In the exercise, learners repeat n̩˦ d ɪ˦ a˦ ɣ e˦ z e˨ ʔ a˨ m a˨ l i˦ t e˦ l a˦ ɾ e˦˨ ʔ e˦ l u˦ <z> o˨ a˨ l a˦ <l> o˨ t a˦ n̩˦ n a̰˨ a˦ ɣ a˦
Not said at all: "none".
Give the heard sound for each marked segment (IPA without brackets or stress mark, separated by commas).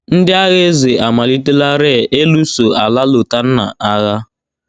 s, l